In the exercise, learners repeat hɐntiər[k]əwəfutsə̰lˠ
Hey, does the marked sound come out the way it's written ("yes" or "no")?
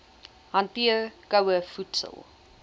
yes